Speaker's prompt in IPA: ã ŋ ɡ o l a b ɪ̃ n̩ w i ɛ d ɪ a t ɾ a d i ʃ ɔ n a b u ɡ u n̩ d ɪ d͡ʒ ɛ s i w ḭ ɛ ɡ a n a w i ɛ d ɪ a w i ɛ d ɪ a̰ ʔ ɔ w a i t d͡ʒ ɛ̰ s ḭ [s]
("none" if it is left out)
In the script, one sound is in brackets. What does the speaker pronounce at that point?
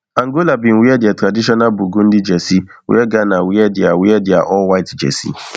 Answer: none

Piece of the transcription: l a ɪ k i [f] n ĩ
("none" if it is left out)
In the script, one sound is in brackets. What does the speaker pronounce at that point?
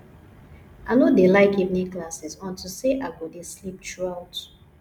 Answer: v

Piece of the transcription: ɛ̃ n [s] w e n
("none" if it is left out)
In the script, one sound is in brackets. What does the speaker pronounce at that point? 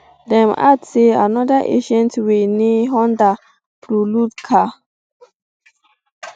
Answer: t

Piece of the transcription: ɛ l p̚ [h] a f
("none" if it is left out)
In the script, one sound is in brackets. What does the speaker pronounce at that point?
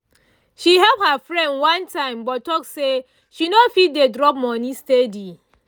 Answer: h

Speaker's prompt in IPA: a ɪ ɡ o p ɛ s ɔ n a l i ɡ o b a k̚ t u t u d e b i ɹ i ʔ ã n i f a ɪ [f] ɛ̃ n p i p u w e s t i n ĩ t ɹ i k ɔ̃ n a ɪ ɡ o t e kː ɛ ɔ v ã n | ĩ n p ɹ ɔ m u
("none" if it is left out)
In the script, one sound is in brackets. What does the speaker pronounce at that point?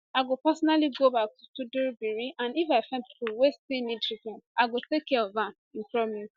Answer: f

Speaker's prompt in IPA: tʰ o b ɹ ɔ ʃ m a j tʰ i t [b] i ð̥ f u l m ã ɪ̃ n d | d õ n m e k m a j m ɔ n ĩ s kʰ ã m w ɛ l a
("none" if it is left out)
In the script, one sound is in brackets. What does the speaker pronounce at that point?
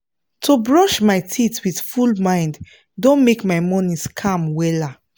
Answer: w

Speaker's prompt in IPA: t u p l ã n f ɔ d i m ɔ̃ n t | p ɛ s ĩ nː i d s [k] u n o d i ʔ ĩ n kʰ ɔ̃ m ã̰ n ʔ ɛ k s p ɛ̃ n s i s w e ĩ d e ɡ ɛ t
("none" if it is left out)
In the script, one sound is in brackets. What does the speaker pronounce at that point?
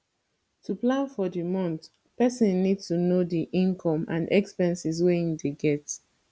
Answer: t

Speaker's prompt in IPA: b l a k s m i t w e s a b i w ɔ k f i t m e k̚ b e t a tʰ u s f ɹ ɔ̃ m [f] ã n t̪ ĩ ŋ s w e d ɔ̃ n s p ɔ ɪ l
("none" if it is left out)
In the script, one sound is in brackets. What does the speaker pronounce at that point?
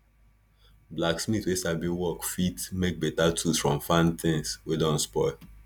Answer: f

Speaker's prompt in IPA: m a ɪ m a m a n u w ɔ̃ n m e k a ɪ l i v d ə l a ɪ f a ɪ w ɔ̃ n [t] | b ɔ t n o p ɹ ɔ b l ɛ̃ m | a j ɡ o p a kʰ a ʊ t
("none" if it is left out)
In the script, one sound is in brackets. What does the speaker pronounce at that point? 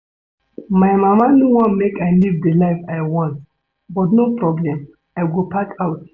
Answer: t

